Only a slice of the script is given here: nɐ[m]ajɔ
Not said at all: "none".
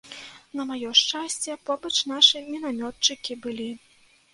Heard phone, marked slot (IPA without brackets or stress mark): m